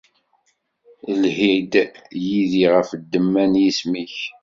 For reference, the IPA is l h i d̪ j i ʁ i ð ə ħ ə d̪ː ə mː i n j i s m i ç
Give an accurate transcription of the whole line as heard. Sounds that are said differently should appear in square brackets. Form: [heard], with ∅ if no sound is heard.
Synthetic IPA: l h i d̪ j i [ð] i [ʁ] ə [f] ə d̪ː ə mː [æ] n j i s m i ç

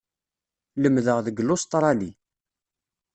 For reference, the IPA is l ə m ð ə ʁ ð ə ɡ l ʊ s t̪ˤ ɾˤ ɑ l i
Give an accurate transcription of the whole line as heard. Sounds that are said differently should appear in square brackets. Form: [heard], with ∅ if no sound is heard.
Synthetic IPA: l ə m ð ə ʁ ð ə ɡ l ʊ s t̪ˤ ɾˤ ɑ l i

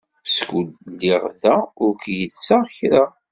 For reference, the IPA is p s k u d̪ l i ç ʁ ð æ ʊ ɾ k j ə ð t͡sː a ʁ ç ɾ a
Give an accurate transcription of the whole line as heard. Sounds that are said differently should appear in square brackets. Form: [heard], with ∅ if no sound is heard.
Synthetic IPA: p s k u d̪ l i [∅] ʁ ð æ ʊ ɾ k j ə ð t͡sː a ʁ ç ɾ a

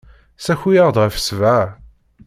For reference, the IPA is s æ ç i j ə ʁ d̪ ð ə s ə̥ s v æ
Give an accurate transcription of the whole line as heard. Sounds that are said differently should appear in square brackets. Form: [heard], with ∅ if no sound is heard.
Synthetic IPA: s æ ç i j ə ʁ d̪ [ʁ] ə [f] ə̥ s v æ

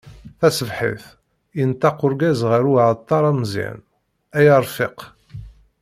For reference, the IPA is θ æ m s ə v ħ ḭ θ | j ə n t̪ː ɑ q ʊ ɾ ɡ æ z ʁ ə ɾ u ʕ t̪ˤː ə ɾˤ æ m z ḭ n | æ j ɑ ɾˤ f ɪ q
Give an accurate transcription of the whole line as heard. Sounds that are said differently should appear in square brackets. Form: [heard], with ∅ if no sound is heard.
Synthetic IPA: θ æ [∅] s ə v ħ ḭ θ | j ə n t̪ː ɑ q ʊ ɾ ɡ æ z ʁ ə ɾ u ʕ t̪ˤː [ɑ] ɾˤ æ m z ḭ n | æ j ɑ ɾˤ f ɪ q

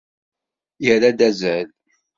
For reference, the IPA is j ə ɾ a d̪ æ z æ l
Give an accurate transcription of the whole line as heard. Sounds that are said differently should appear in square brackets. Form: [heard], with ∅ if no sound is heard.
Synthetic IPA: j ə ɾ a d̪ æ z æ l

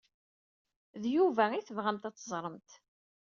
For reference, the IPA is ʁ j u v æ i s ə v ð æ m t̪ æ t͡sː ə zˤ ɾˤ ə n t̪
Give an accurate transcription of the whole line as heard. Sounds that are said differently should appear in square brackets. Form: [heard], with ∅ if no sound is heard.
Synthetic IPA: [ð] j u v æ i [θ] ə v [ʁ] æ m t̪ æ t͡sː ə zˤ ɾˤ ə [m] t̪

